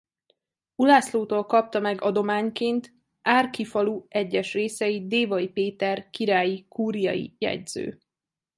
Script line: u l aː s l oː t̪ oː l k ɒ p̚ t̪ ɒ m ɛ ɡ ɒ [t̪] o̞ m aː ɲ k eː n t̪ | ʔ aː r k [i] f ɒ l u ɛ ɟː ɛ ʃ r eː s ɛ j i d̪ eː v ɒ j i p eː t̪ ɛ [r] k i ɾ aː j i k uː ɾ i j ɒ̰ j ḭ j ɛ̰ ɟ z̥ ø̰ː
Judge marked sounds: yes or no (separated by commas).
no, yes, yes